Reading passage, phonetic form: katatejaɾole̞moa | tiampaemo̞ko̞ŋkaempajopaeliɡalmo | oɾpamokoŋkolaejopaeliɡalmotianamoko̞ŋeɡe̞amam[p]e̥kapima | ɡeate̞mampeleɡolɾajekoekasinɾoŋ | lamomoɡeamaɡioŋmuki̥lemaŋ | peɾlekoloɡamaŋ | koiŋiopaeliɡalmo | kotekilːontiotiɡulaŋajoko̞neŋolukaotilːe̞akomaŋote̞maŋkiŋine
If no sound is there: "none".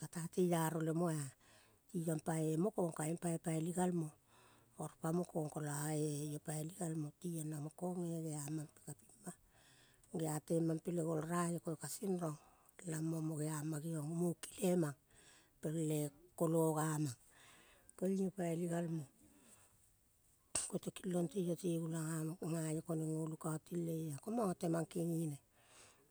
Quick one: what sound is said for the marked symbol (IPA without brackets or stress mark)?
p